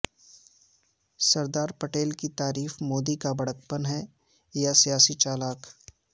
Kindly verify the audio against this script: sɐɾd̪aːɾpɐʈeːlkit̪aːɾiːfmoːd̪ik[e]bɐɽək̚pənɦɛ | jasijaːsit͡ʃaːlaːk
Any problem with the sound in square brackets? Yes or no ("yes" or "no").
yes